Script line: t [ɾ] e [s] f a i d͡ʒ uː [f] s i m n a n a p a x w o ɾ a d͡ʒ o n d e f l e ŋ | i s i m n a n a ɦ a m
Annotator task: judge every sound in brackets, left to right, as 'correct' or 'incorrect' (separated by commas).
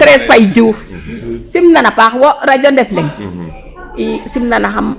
correct, correct, correct